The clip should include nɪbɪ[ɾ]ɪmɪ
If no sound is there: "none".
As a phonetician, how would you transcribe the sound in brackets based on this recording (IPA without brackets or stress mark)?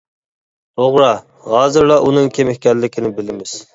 l